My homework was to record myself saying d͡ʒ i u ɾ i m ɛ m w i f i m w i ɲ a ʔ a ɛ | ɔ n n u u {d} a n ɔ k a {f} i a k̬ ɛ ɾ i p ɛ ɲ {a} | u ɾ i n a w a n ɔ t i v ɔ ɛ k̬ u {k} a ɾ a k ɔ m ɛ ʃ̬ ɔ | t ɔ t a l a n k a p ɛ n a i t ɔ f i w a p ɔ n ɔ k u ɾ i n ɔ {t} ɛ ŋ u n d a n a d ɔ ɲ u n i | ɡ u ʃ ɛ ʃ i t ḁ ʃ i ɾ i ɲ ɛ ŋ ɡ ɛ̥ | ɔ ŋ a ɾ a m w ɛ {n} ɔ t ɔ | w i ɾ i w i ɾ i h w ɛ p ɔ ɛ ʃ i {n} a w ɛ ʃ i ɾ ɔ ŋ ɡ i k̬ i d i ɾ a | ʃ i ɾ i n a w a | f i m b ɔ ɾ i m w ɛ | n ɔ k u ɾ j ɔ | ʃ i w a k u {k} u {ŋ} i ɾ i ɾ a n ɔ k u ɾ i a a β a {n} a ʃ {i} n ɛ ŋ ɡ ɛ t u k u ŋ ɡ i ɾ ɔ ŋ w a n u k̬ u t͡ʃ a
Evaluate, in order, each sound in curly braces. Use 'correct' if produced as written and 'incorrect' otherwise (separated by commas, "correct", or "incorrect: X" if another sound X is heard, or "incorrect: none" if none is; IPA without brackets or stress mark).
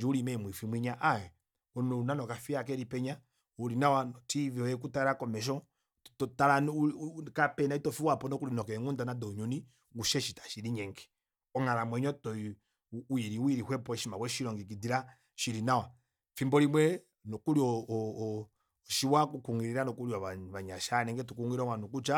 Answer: incorrect: n, correct, correct, incorrect: t, incorrect: k, incorrect: ɲ, incorrect: m, correct, correct, incorrect: ɲ, incorrect: a